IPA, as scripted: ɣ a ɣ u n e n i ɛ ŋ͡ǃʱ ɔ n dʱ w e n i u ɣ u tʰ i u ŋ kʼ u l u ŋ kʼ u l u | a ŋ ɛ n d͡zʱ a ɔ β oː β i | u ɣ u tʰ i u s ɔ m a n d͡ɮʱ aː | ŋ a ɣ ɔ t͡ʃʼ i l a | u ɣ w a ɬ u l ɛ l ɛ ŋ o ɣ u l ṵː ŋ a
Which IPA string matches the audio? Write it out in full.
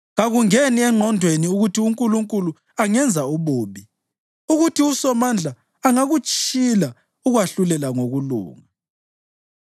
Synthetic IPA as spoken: ɣ a ɣ u ŋ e n i ɛ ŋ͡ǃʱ ɔ n dʱ w e n i u ɣ u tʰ i u ŋ kʼ u l u ŋ kʼ u l u | a ŋ ɛ n d͡zʱ a u β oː β i | u ɣ u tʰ i u s ɔ m a n d͡ɮʱ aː | ŋ a ɣ u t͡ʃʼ i l a | u ɣ w a ɬ u l ɛ l a ŋ o ɣ u l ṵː ŋ a